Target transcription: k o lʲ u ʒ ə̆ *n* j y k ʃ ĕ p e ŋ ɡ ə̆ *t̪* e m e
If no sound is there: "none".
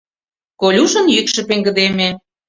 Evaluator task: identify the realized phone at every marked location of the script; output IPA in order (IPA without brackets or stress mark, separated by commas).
n, d̪